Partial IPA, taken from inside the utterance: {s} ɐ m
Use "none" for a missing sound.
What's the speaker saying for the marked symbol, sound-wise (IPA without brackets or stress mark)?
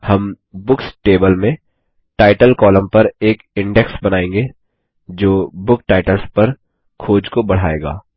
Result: h